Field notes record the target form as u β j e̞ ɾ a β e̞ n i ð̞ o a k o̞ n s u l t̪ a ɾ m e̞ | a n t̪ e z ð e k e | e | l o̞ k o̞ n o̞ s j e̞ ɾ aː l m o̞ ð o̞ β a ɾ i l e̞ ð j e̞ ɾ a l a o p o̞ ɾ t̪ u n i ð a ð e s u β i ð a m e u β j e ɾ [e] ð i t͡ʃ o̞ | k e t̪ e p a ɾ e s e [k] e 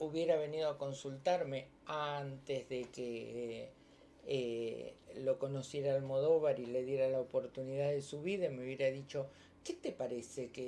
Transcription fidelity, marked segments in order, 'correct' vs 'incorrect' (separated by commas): incorrect, correct